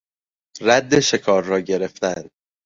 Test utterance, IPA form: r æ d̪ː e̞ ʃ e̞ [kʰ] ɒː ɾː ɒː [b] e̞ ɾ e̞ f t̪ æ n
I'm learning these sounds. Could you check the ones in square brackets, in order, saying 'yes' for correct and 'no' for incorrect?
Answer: yes, no

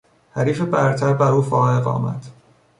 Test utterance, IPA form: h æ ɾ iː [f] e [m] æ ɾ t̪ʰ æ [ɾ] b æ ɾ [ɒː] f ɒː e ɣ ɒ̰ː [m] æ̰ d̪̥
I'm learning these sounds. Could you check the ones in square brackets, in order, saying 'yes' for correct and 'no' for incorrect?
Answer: yes, no, yes, no, yes

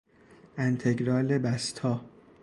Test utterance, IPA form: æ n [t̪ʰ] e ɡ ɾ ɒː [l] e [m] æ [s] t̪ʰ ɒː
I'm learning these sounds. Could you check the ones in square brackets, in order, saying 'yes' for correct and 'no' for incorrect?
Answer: yes, yes, no, yes

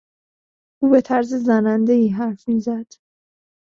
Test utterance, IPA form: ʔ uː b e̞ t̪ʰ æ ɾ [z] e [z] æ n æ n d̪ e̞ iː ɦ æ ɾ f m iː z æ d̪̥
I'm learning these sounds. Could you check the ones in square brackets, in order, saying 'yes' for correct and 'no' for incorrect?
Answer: yes, yes

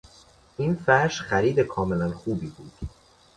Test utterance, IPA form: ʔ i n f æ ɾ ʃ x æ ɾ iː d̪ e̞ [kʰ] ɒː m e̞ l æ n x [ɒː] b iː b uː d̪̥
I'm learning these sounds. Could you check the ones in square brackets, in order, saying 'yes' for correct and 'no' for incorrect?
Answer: yes, no

